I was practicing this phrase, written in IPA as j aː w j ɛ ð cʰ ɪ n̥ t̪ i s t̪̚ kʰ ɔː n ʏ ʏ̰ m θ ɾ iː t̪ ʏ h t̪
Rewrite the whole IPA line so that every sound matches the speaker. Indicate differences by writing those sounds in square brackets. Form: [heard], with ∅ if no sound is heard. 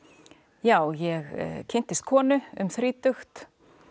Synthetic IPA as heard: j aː w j ɛ [ɣ] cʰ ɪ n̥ t̪ [ɪ] s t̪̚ kʰ ɔː n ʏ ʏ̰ m θ ɾ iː t̪ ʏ [x] t̪